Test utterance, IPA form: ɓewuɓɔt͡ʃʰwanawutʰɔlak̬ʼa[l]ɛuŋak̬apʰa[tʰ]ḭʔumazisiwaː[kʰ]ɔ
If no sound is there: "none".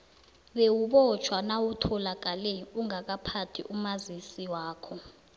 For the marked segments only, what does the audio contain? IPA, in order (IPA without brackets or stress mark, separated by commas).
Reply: l, tʰ, kʰ